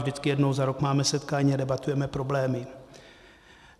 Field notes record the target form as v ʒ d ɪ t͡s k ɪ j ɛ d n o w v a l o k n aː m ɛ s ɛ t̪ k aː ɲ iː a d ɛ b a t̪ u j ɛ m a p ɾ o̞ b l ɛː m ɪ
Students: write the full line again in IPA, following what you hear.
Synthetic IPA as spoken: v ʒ d ɪ t͡s k ɪ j ɛ d n o w z a ɾ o k m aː m ɛ s ɛ t̪ k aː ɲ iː a d ɛ b a t̪ u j ɛ m ɛ p ɾ o̞ b l ɛː m ɪ